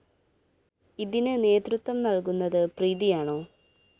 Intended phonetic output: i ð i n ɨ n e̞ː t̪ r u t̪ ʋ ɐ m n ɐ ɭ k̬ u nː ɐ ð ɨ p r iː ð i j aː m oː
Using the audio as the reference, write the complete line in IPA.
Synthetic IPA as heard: i ð i n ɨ n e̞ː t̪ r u t̪ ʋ ɐ m n ɐ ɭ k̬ u nː ɐ ð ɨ p r iː ð i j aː ɳ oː